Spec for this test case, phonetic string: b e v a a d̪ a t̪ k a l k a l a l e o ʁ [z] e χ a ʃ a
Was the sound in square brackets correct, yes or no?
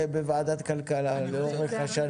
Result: no